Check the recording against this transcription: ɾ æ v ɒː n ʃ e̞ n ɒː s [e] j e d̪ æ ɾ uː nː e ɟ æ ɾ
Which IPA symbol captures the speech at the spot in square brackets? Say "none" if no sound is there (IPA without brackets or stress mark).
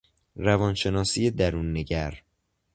i